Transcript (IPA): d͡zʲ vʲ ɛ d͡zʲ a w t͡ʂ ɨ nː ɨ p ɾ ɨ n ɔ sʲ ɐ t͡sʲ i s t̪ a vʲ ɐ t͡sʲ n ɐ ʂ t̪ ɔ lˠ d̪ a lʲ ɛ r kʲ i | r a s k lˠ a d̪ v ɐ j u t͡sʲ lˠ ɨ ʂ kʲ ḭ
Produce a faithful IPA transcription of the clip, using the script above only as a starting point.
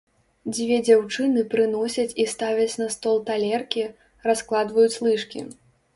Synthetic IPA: d͡zʲ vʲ ɛ d͡zʲ a w t͡ʂ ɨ n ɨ p ɾ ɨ n ɔ sʲ ɐ t͡sʲ i s t̪ a vʲ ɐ t͡sʲ n ɐ s t̪ ɔ lˠ t̪ a lʲ ɛ r kʲ i | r a s k lˠ a d̪ v ɐ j u t͡sʲ lˠ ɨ ʂ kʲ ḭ